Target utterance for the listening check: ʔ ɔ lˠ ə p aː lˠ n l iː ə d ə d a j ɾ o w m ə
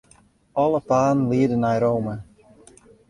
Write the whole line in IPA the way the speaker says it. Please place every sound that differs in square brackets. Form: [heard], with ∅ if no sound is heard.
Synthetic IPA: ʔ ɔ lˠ ə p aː [∅] n l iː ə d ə [n] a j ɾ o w m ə